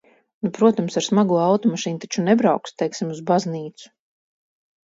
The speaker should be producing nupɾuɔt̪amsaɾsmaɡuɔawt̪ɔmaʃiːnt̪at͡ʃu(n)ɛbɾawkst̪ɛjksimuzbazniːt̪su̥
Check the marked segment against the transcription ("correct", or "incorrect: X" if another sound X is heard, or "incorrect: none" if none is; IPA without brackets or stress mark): correct